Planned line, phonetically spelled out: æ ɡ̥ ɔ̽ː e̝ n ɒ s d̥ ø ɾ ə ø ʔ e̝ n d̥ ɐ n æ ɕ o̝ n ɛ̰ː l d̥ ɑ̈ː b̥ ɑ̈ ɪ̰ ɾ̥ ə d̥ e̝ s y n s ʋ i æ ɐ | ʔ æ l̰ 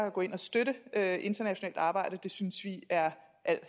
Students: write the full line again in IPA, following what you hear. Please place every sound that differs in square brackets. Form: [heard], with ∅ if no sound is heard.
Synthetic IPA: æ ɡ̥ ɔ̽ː e̝ n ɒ s d̥ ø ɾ ə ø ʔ e̝ n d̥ ɐ n æ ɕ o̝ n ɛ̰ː l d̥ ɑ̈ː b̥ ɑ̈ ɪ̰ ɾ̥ ə d̥ e̝ s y n s ʋ i æ ɐ | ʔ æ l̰